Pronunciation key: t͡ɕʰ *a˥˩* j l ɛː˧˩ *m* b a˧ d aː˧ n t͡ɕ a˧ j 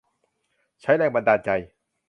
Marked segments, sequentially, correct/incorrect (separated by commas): incorrect, incorrect